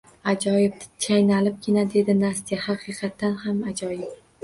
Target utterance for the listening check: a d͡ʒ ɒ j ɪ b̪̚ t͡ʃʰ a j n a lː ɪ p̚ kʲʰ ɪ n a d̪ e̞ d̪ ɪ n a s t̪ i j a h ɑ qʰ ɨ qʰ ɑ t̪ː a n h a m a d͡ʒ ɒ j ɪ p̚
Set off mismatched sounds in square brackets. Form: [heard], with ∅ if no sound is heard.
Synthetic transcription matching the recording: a d͡ʒ ɒ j ɪ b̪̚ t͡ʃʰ a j n a [l] ɪ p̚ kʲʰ ɪ n a d̪ e̞ d̪ ɪ n a s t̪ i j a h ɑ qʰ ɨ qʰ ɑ t̪ː a n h a m a d͡ʒ ɒ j ɪ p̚